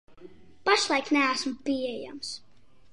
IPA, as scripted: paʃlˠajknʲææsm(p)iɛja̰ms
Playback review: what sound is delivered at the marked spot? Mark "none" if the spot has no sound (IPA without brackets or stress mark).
p